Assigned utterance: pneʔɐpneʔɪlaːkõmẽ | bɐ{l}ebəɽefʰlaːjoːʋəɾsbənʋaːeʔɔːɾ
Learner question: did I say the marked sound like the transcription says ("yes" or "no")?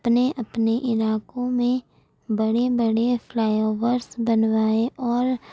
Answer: no